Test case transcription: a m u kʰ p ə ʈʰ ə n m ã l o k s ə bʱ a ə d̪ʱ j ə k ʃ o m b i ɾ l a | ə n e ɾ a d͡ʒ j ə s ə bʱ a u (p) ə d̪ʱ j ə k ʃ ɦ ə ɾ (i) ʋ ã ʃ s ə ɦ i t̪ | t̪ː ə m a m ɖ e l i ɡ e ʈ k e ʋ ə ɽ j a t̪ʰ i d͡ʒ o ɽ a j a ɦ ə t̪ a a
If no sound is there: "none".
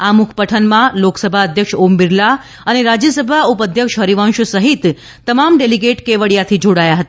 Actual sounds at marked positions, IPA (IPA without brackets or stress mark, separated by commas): p, i